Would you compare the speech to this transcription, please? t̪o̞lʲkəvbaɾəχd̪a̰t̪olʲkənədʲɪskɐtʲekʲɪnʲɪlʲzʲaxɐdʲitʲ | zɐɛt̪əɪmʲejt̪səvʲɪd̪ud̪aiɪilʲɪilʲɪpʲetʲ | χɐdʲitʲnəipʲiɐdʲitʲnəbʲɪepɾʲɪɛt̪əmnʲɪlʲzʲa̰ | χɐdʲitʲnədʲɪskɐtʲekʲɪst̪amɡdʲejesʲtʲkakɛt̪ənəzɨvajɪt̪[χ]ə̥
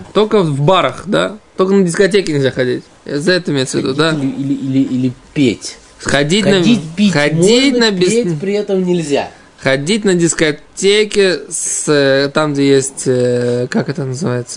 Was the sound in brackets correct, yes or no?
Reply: no